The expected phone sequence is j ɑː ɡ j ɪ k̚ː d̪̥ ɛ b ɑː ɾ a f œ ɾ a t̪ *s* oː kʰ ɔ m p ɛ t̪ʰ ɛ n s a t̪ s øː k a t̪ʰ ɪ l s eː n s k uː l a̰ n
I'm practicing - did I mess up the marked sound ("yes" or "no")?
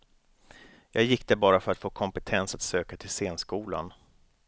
yes